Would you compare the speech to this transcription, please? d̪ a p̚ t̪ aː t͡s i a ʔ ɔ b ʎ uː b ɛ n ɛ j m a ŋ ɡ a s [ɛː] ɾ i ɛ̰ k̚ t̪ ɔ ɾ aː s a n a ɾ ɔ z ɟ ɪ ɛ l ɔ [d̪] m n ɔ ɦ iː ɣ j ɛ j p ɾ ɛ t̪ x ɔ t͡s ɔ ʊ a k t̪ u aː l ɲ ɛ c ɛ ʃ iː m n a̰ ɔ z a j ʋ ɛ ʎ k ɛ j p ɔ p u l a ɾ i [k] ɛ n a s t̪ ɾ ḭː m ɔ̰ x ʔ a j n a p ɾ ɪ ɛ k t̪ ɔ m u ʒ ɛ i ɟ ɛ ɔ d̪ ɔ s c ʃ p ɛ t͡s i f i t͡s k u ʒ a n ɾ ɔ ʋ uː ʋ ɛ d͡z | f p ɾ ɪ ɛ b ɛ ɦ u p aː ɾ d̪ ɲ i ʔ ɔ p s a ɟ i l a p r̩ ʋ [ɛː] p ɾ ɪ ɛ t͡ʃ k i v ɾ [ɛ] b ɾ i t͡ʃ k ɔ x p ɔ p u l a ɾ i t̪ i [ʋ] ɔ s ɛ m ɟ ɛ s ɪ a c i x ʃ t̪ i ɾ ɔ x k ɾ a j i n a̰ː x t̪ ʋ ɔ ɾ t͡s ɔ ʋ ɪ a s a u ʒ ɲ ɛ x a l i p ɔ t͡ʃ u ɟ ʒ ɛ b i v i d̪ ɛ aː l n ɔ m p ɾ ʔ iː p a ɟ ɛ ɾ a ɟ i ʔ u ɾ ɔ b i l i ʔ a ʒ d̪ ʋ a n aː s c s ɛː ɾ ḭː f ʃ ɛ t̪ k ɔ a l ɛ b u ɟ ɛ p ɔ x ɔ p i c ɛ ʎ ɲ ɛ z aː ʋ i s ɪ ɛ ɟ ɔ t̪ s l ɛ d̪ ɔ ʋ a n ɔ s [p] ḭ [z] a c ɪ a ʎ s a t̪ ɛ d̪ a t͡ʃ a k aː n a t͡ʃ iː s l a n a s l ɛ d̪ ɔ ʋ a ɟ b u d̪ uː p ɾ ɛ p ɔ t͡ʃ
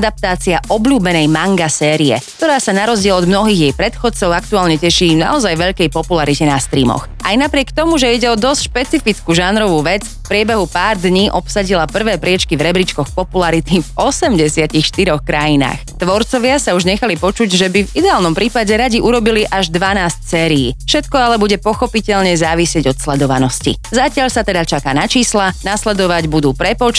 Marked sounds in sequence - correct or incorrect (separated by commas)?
correct, correct, incorrect, correct, correct, incorrect, incorrect, correct